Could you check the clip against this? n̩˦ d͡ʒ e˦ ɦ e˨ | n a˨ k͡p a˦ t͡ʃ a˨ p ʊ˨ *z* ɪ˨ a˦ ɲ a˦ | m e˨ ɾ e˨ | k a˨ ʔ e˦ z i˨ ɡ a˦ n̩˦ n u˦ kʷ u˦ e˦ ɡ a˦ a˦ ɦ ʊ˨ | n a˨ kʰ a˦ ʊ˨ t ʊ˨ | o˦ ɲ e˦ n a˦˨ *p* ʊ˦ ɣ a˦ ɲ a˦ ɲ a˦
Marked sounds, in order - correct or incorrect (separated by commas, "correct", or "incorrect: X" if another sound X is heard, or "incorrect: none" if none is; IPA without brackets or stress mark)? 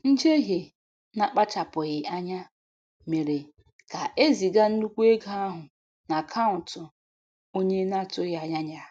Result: incorrect: ɣ, incorrect: t